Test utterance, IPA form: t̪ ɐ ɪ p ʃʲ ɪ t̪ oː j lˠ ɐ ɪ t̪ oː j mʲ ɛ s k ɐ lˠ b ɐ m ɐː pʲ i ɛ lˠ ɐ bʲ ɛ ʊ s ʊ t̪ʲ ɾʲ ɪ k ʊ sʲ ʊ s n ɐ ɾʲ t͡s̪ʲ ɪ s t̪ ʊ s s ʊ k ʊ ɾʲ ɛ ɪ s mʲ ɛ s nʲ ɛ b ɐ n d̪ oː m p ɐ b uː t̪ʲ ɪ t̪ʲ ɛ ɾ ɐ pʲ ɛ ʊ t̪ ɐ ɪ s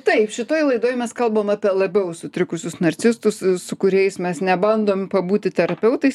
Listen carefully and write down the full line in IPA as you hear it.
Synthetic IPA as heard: t̪ ɐ ɪ p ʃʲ ɪ t̪ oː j lˠ ɐ ɪ d̪ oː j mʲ ɛ s k ɐ lˠ b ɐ m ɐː pʲ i ɛ lˠ ɐ bʲ ɛ ʊ s ʊ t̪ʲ ɾʲ ɪ k ʊ sʲ ʊ s n ɐ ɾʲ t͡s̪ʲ ɪ s t̪ ʊ s s ʊ k ʊ ɾʲ ɛ ɪ s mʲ ɛ s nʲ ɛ b ɐ n d̪ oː m p ɐ b uː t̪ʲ ɪ t̪ʲ ɛ ɾ ɐ pʲ ɛ ʊ t̪ ɐ ɪ s